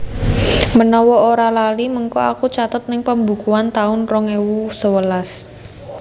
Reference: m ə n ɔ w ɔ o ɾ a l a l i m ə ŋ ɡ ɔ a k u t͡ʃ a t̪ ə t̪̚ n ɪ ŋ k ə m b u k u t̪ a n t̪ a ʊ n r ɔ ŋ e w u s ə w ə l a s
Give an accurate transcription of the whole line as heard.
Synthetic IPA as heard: m ə n ɔ w ɔ o ɾ a l a l i m ə ŋ k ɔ a k u t͡ʃ a t̪ ə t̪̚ n ɪ ŋ p ə m b u k u a n t̪ a ʊ n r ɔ ŋ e w u s ə w ə l a s